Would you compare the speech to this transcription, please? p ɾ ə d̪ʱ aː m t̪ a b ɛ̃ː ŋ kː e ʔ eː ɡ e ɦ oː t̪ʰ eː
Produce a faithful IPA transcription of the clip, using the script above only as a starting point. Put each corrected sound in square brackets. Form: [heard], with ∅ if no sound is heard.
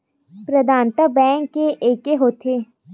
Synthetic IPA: p ɾ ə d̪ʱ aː [n] t̪ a b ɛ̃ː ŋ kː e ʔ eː [k] e ɦ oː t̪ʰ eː

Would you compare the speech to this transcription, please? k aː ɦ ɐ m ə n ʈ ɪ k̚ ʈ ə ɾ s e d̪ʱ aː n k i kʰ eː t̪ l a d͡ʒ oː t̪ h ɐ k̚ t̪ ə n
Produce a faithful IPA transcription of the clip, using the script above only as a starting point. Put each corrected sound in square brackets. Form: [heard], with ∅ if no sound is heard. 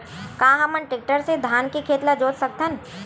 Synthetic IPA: k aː ɦ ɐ m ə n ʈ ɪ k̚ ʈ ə ɾ s e d̪ʱ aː n k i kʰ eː t̪ l a d͡ʒ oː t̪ [s] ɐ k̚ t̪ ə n

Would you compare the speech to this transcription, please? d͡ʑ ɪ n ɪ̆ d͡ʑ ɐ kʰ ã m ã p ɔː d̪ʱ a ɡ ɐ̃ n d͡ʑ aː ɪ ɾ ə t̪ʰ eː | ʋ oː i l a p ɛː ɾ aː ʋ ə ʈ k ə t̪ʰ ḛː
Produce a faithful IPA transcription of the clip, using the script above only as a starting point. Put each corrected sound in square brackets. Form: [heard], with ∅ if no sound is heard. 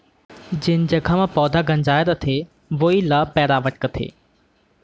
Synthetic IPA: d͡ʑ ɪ n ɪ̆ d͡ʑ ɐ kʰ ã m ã p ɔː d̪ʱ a ɡ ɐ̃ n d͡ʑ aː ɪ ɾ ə t̪ʰ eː | ʋ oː i l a p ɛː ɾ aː ʋ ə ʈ k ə t̪ʰ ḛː

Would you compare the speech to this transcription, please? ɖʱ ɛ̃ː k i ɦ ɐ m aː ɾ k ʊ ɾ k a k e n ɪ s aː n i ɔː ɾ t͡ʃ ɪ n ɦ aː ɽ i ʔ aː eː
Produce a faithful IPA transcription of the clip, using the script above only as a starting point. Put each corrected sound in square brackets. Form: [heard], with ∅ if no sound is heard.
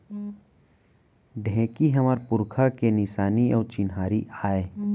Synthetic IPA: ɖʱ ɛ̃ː k i ɦ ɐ m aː ɾ [p] ʊ ɾ [kʰ] a k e n ɪ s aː n i ɔː ɾ t͡ʃ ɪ n ɦ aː [ɾ] i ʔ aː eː

